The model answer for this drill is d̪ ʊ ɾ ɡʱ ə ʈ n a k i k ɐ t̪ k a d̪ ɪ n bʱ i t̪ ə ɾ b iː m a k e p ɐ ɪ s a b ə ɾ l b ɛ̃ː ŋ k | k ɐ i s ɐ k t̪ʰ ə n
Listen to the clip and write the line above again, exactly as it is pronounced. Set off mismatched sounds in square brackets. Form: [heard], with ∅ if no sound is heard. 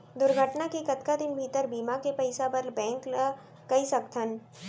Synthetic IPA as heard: d̪ ʊ ɾ ɡʱ ə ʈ n a k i k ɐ t̪ k a d̪ ɪ n bʱ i t̪ ə ɾ b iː m a k e p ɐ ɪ s a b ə ɾ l b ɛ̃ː ŋ k | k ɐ i s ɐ k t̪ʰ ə n